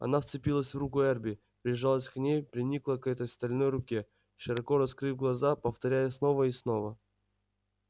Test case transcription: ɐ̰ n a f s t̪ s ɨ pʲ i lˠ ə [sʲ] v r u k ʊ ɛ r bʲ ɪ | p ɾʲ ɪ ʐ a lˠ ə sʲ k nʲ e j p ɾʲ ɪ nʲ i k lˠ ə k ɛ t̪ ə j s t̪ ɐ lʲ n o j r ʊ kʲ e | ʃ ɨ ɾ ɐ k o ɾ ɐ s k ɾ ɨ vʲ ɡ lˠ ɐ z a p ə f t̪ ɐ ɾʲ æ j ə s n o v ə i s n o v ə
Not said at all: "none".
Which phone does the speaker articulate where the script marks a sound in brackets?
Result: sʲ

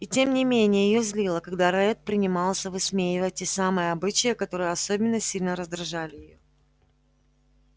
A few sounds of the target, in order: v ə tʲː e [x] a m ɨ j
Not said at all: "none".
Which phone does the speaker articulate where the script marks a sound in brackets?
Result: s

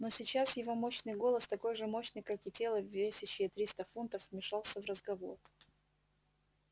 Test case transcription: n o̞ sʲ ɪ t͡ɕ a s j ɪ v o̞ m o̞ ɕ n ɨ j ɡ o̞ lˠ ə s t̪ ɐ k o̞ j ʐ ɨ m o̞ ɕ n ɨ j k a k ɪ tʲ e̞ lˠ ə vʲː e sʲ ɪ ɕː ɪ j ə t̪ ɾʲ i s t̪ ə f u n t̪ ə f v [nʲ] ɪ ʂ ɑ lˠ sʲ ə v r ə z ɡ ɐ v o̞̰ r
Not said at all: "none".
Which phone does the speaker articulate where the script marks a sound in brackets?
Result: mʲ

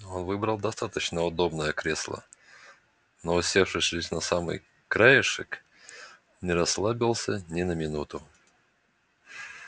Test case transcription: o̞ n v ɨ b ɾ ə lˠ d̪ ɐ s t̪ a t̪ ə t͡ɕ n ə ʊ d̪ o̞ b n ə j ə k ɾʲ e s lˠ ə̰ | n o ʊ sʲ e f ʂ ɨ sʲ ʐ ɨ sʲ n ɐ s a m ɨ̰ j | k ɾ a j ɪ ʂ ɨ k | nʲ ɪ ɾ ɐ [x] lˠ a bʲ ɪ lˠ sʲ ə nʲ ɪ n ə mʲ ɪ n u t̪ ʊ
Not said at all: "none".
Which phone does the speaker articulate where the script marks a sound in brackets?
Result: s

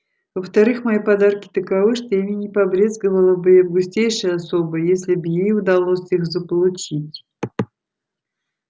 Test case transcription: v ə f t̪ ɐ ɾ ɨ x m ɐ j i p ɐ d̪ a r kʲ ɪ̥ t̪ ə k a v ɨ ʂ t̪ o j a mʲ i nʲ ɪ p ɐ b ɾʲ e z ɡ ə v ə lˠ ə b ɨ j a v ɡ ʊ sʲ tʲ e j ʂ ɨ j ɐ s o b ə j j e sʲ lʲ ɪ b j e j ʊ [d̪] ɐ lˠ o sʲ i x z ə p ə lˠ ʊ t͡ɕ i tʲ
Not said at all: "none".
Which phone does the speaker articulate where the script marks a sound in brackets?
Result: d̪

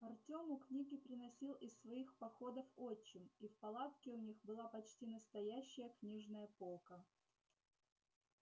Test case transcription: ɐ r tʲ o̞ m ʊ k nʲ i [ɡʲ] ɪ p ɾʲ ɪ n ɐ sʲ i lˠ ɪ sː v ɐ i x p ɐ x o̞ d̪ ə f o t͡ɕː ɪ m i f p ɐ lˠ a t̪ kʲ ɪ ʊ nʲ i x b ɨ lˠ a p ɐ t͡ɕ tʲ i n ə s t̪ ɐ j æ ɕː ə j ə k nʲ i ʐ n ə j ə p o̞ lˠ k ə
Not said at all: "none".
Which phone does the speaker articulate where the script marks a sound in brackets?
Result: ɡʲ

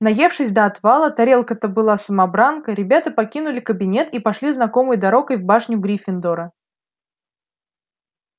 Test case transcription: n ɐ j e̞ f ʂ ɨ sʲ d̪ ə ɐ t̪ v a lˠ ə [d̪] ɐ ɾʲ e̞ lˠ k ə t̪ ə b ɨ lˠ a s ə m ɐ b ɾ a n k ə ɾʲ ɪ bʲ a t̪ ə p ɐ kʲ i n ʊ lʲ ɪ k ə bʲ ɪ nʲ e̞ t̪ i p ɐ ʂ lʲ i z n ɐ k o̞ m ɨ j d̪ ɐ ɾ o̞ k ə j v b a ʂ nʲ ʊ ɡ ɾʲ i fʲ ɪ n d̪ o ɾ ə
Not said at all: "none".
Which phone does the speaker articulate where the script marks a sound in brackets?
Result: t̪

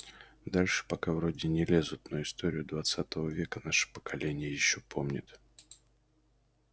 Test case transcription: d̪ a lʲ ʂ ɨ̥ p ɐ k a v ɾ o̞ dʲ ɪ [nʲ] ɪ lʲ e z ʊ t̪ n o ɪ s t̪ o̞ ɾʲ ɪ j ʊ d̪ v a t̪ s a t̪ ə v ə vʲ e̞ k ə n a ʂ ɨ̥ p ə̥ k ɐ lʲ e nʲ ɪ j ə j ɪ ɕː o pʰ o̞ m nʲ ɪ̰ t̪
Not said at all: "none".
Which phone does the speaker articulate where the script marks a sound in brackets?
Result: nʲ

